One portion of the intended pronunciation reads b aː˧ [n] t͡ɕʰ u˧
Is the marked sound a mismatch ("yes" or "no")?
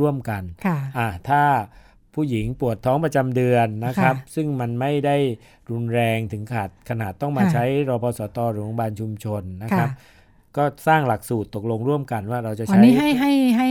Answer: no